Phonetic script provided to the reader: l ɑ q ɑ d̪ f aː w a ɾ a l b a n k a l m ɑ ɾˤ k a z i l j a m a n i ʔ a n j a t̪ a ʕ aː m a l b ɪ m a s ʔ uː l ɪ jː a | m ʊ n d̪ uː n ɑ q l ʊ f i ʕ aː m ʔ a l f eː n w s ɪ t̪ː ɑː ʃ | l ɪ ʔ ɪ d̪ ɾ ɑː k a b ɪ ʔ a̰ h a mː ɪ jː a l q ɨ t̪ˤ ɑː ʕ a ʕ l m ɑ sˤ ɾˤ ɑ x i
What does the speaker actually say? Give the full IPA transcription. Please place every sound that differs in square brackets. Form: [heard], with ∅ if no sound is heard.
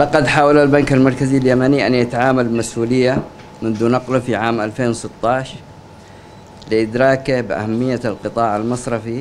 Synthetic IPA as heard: l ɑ q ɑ d̪ [ħ] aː w a [l] a l b a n k a l m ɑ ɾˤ k a z i l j a m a n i ʔ a n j a t̪ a ʕ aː m a l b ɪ m a s ʔ uː l ɪ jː a | m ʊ n d̪ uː n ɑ q l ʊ f i ʕ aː m ʔ a l f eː n w s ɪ t̪ː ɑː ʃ | l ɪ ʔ ɪ d̪ ɾ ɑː k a b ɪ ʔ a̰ h a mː ɪ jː a l q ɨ t̪ˤ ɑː ʕ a [∅] l m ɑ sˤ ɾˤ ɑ [f] i

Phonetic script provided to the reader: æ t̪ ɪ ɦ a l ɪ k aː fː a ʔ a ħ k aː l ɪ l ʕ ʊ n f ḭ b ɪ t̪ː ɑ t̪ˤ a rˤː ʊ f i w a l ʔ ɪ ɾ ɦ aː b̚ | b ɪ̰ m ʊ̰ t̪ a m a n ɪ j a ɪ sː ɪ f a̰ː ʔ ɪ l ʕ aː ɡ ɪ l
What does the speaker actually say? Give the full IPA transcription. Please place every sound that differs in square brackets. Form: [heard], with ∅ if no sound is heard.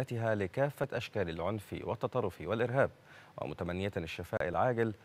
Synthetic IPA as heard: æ t̪ ɪ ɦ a l ɪ k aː fː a ʔ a [ʃ] k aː l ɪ l ʕ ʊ n f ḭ [w] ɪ t̪ː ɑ t̪ˤ [ɑ] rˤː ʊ f i w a l ʔ ɪ ɾ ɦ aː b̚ | [w] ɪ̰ m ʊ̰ t̪ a m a [nː] ɪ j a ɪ [ʃː] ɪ f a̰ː ʔ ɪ l ʕ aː ɡ ɪ l

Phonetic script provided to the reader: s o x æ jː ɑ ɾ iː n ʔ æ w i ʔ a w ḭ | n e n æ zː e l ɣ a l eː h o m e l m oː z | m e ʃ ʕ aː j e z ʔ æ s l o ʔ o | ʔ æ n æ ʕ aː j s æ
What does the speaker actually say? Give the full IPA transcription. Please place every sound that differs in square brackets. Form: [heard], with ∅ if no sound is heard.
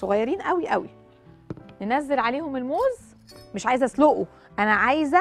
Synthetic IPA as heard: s o [ɣ] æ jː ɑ ɾ iː n ʔ æ w i ʔ [æ] w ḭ | n e n æ zː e l [ʕ] a l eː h o m e l m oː z | m e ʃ ʕ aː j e z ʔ æ s l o ʔ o | ʔ æ n æ ʕ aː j [z] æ

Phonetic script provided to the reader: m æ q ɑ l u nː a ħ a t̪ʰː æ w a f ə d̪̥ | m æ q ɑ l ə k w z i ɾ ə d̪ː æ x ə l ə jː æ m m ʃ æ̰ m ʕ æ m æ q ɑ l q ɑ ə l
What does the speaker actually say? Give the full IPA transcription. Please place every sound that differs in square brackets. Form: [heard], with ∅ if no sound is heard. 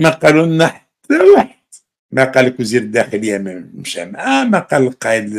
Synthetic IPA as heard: m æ q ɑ l u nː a ħ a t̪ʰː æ w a [ħ] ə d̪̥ | m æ q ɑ l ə k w z i ɾ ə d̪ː æ x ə l ə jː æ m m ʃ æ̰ m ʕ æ m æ q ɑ l q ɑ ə l

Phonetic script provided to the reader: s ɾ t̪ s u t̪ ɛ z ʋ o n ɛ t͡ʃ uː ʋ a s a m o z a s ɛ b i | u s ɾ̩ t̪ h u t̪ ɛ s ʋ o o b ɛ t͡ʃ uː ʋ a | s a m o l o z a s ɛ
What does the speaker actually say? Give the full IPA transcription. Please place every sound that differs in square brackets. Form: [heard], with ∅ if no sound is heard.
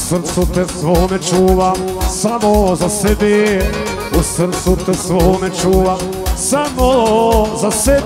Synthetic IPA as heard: s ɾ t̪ s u t̪ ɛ [s] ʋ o [m] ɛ t͡ʃ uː ʋ a s a m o z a s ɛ b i | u s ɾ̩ t̪ [s] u t̪ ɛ s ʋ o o [m] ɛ t͡ʃ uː ʋ a | s a m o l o z a s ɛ

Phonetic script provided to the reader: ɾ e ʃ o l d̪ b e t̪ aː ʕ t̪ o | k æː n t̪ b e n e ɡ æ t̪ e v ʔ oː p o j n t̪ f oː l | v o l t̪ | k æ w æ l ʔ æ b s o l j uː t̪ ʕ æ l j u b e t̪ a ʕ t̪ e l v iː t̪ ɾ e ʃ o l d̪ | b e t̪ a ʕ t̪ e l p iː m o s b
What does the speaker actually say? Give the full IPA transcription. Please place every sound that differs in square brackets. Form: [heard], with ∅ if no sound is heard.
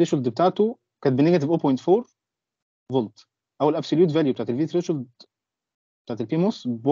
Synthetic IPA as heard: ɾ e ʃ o l d̪ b e t̪ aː ʕ t̪ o | k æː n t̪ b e n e ɡ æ t̪ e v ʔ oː p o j n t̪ f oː [ɾ] | v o l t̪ | [ʔ] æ w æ l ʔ æ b s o l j uː t̪ [v] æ l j u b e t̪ a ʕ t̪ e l v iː t̪ ɾ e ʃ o l d̪ | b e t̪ a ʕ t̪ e l p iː m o s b

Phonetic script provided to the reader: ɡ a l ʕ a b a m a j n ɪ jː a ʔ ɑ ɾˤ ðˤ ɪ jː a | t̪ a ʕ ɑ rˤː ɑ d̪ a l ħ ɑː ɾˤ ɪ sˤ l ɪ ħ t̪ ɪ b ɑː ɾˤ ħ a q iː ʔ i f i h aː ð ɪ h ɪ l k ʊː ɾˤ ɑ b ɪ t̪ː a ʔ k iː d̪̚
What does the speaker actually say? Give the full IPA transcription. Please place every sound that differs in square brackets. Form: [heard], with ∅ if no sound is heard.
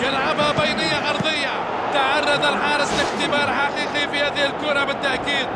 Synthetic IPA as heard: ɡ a l ʕ a b a [b] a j n ɪ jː a ʔ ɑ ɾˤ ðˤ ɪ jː a | t̪ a ʕ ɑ rˤː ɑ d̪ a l ħ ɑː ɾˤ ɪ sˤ l ɪ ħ t̪ ɪ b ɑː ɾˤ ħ a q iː [q] i f i h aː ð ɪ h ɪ l k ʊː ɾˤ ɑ b ɪ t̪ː a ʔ k iː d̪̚

